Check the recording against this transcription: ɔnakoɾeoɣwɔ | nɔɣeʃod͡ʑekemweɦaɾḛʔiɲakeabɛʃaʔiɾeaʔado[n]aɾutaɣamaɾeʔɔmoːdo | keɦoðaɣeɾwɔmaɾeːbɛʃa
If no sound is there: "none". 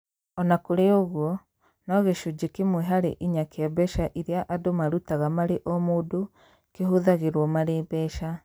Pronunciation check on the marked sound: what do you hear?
m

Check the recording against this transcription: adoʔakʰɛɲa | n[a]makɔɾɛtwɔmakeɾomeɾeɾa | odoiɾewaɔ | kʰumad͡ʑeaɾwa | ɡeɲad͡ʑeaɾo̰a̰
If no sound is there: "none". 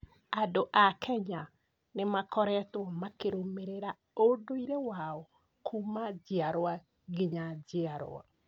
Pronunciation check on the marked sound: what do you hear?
e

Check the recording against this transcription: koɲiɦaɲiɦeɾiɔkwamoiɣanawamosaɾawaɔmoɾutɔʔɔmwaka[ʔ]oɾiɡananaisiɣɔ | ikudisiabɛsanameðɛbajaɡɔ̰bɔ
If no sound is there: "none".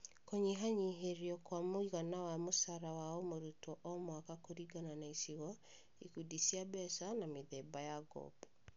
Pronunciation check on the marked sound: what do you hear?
k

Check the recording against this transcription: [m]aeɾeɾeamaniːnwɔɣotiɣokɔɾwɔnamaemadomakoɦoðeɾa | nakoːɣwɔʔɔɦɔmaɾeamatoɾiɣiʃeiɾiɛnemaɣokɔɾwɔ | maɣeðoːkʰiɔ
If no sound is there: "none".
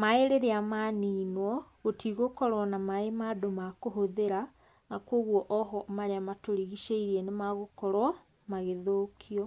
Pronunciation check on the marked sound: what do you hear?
m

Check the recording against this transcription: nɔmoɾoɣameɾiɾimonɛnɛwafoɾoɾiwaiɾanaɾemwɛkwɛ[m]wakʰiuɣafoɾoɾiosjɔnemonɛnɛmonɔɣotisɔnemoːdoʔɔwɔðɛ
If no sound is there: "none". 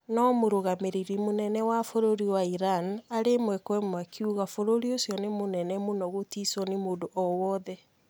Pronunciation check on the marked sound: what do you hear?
m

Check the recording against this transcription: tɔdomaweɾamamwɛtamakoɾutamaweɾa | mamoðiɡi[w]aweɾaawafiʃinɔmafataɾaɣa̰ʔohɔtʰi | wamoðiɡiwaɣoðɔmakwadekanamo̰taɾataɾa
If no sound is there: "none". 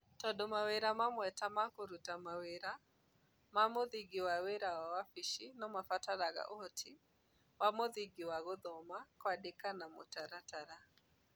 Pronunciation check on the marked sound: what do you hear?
w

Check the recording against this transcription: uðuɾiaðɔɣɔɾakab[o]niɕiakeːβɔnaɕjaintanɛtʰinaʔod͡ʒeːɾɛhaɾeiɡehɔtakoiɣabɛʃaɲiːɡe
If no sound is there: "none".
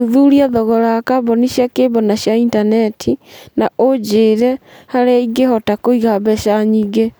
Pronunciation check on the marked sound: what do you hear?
ɔ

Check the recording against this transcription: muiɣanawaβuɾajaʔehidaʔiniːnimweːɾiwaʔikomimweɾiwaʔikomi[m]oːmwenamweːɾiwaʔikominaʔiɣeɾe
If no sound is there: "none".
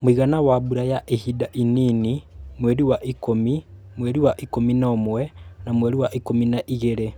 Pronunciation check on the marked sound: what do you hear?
n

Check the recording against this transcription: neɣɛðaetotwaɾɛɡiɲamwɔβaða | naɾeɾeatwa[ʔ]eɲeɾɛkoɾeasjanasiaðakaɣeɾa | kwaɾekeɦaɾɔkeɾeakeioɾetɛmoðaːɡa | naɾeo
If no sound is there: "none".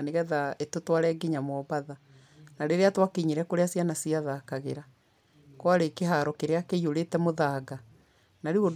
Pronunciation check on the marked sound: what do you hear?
k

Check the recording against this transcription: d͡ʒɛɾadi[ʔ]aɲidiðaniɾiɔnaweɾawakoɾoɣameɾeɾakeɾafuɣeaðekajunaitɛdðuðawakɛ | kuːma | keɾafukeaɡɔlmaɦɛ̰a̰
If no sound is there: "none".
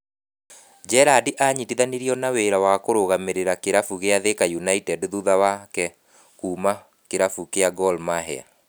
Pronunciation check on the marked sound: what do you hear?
ʔ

